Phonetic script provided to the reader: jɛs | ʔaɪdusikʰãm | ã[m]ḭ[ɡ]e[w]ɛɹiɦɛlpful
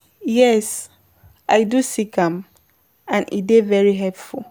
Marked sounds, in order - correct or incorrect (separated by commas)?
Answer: incorrect, incorrect, incorrect